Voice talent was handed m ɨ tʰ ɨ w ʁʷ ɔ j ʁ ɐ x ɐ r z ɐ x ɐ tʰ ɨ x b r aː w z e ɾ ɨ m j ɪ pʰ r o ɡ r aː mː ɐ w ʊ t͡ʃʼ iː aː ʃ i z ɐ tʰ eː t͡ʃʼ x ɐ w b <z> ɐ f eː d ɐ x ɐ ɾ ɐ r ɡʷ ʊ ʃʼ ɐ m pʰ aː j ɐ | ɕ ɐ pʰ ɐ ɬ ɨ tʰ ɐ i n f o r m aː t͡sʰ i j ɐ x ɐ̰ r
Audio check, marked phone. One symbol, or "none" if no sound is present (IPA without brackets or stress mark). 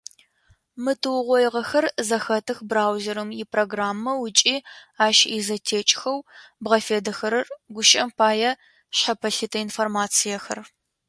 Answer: ʁ